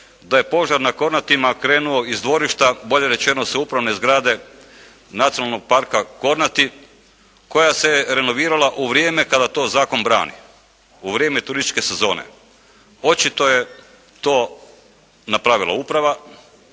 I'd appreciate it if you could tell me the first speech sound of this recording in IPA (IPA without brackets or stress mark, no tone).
d̪